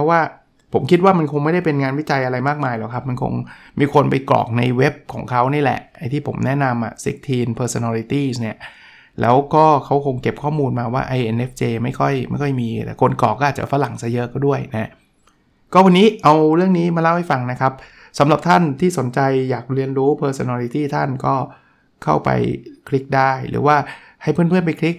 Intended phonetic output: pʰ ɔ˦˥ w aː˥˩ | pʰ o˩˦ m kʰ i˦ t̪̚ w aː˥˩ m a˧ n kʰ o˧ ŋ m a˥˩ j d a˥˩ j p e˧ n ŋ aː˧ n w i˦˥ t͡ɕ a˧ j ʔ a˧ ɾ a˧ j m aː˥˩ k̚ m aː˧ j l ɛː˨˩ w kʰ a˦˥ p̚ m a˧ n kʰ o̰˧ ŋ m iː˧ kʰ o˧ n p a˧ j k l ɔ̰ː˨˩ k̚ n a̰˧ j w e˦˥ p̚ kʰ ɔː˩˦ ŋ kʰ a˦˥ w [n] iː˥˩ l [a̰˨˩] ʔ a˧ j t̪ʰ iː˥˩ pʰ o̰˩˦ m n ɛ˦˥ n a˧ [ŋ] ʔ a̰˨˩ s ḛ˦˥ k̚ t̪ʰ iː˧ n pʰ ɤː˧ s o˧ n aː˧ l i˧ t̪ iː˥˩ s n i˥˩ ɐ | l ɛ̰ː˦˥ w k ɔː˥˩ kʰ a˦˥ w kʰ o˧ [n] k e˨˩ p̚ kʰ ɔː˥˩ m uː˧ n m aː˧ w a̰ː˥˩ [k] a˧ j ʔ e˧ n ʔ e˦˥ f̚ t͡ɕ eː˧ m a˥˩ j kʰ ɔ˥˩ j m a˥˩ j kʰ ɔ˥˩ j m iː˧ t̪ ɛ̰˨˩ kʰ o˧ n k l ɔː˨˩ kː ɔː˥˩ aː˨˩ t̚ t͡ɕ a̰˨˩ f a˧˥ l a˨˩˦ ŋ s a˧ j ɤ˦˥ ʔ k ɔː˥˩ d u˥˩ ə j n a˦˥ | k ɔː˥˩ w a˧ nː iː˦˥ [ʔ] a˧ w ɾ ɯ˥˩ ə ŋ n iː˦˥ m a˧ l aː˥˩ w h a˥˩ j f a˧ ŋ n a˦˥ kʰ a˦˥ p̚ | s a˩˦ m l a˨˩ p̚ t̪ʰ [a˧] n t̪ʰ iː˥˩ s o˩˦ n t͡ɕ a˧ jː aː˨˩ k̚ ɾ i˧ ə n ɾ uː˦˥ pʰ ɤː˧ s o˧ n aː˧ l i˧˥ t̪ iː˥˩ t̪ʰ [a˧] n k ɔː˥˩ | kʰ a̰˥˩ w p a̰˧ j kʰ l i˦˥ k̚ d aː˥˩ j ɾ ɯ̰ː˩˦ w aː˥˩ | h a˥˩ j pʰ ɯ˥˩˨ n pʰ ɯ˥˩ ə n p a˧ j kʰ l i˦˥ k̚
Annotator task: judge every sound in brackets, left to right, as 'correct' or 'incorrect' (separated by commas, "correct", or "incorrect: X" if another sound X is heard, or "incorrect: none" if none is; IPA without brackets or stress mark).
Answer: correct, incorrect: ɛ̰˨˩, incorrect: m, incorrect: ŋ, incorrect: ʔ, correct, incorrect: a˥˩, incorrect: a˥˩